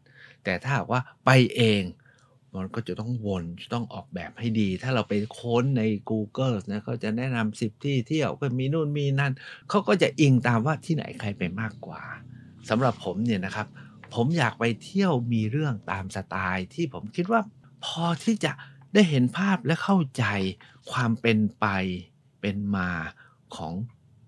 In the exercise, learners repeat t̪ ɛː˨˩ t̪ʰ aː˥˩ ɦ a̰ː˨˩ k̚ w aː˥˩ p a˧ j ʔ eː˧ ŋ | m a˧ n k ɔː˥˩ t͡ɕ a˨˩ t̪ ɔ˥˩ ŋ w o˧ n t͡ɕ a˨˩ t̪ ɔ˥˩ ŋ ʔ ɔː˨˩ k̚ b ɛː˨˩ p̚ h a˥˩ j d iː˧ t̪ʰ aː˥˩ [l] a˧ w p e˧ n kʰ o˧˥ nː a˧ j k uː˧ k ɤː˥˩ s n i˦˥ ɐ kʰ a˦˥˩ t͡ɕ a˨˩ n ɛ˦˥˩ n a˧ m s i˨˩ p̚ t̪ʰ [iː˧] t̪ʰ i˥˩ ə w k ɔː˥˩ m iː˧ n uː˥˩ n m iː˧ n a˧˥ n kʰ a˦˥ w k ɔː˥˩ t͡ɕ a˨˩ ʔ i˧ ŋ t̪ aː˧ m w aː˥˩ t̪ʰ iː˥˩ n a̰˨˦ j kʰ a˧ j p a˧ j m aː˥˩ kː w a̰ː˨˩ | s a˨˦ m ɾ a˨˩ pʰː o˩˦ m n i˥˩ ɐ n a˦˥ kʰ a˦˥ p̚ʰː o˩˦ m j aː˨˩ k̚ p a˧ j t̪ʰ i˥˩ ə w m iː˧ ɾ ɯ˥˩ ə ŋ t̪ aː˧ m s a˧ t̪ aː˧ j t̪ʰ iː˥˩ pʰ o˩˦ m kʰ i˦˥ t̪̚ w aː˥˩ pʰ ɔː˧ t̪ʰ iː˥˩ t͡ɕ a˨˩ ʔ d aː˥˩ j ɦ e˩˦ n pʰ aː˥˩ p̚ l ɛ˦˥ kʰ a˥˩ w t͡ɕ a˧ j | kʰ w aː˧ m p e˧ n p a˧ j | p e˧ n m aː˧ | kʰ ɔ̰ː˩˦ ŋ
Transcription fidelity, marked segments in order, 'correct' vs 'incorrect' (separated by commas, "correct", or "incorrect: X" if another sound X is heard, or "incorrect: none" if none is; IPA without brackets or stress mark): incorrect: ɾ, incorrect: iː˥˩